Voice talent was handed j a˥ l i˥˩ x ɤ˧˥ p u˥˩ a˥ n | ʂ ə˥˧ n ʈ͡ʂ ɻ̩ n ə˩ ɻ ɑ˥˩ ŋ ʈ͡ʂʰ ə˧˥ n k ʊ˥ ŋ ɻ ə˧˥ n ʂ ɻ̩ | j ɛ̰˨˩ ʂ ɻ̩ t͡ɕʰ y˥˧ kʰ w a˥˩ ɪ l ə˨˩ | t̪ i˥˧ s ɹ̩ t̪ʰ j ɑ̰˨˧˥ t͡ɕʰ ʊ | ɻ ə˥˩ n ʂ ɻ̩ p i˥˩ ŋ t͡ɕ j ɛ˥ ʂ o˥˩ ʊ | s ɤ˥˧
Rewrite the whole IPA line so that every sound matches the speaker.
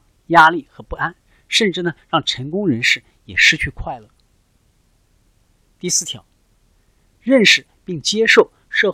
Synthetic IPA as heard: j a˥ l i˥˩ x ɤ˧˥ p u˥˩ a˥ n | ʂ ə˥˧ n ʈ͡ʂ ɻ̩ n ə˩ ɻ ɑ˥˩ ŋ ʈ͡ʂʰ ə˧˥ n k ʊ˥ ŋ ɻ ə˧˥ n ʂ ɻ̩ | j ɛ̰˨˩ ʂ ɻ̩ t͡ɕʰ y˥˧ kʰ w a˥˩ ɪ l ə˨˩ | t̪ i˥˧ s ɹ̩ t̪ʰ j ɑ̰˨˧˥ ʊ | ɻ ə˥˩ n ʂ ɻ̩ p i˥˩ ŋ t͡ɕ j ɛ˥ ʂ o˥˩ ʊ | ʂ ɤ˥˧